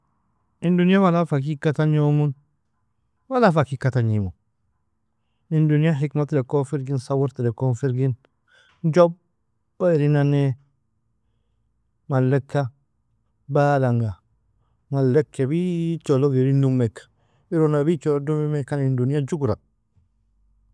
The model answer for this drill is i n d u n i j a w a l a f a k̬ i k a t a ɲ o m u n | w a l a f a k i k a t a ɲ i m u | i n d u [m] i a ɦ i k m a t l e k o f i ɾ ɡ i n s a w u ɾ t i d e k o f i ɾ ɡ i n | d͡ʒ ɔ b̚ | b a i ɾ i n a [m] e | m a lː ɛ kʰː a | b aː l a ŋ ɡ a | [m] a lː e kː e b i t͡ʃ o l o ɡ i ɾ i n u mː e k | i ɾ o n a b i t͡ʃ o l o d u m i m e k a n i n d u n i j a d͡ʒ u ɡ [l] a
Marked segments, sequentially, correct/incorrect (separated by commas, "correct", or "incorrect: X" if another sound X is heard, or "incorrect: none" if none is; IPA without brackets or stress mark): incorrect: n, incorrect: n, correct, incorrect: ɾ